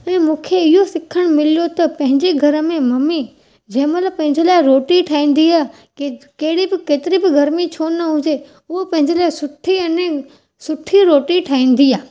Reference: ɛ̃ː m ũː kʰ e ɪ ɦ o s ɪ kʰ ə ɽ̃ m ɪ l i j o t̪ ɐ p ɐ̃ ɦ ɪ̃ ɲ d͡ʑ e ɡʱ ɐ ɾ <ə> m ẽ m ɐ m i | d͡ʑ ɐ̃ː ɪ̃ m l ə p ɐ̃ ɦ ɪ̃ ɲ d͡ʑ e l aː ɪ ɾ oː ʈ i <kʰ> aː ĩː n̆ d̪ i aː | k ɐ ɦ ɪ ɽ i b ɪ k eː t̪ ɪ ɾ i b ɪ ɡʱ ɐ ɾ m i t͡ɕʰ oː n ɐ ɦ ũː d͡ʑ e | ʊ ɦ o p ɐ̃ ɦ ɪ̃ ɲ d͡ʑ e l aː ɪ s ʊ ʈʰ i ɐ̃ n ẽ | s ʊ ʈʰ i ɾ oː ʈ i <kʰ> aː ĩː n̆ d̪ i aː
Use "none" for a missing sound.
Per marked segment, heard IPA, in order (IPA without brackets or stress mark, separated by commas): ə, ʈʰ, ʈʰ